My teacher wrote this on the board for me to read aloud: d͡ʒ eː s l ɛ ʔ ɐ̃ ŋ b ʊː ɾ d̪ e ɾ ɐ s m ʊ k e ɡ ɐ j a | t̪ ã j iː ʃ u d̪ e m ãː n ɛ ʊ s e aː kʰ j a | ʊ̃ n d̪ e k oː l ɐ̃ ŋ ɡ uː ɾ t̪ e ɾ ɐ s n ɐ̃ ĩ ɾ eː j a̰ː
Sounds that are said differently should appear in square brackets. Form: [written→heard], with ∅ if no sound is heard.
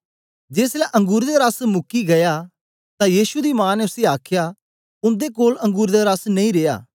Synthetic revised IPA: d͡ʒ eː s l ɛ ʔ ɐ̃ ŋ [b→ɡ] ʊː ɾ d̪ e ɾ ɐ s m ʊ k [e→i] ɡ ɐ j a | t̪ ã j iː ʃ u d̪ [e→i] m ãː n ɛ ʊ s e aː kʰ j a | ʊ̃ n d̪ e k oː l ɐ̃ ŋ ɡ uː ɾ [t̪→d̪] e ɾ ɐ s n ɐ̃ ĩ ɾ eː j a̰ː